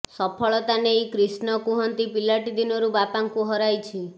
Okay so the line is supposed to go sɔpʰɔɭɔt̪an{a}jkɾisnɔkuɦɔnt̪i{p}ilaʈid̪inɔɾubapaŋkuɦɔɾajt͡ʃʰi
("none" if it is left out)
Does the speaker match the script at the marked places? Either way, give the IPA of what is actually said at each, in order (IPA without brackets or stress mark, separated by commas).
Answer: e, p